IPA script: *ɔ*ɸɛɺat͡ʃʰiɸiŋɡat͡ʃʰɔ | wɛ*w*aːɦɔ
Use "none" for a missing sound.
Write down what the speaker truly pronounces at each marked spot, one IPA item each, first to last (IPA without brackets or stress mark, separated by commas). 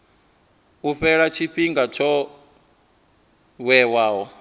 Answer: u, w